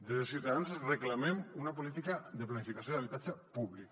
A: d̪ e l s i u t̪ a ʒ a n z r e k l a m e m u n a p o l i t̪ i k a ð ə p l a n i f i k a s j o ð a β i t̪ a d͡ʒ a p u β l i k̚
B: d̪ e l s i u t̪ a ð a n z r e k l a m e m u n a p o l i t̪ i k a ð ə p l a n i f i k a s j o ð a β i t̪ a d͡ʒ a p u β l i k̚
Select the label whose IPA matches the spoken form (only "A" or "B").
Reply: B